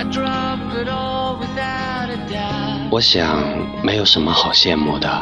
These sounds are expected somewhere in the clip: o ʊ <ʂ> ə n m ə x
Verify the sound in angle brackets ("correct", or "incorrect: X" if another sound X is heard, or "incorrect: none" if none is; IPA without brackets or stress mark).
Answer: correct